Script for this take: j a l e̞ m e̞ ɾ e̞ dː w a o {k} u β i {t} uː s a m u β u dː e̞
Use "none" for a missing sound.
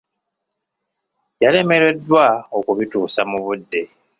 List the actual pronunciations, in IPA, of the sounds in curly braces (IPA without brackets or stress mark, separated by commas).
k, t